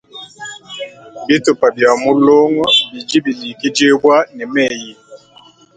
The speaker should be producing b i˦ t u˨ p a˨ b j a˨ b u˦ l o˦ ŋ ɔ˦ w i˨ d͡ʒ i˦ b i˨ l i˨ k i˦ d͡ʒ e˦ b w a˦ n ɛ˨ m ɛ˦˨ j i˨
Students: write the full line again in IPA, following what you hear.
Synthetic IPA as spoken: b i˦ t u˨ p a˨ b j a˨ m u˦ l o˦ ŋ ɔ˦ b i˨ d͡ʒ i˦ b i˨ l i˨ k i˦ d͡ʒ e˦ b w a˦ n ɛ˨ m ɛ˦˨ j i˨